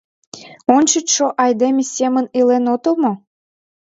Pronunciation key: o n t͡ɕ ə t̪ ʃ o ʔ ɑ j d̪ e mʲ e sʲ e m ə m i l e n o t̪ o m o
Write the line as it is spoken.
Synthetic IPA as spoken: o n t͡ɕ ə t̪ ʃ o ʔ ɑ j d̪ e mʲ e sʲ e m ə n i l e n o t̪ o m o